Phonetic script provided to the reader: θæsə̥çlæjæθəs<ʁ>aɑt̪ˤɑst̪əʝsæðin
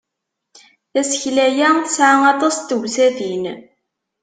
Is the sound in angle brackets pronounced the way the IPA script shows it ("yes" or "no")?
no